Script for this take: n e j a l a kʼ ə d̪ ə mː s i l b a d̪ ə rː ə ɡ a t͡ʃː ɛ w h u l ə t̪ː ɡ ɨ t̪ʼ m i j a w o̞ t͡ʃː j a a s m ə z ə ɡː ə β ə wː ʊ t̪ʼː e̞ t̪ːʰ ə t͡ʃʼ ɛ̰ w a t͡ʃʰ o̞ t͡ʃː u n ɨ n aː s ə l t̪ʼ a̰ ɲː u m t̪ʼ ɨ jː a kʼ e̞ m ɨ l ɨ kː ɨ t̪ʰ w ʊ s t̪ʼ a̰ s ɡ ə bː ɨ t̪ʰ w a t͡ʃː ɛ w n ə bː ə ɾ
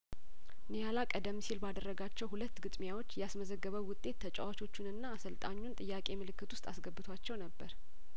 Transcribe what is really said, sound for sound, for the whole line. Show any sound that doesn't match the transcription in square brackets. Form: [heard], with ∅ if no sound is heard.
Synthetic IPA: n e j a l a kʼ ə d̪ ə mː s i l b a d̪ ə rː ə ɡ a t͡ʃː ɛ w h u l ə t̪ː ɡ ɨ t̪ʼ m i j a w o̞ t͡ʃː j [ɛ] a s m ə z ə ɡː ə β ə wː ʊ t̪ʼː e̞ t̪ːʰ ə t͡ʃʼ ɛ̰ w a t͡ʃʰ o̞ t͡ʃː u n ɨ [nː] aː s ə l t̪ʼ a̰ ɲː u [n] t̪ʼ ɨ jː a kʼ e̞ m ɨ l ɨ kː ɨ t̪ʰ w ʊ s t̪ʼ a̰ s ɡ ə bː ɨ t̪ʰ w a t͡ʃː ɛ w n ə bː ə ɾ